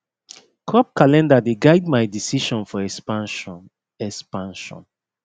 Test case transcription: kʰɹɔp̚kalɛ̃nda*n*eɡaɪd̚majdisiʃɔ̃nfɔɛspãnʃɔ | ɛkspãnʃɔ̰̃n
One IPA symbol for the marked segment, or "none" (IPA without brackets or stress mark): d